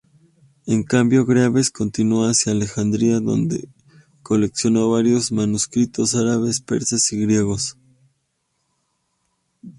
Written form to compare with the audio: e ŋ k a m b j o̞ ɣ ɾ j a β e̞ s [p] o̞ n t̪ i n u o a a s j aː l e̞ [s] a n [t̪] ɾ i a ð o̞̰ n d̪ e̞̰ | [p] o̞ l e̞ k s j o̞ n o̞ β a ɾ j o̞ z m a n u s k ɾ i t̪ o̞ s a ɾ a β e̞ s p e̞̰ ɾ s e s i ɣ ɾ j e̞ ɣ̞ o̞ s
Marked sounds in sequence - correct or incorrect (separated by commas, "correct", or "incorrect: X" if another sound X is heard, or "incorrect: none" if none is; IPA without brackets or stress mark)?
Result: incorrect: k, incorrect: x, incorrect: d̪, incorrect: k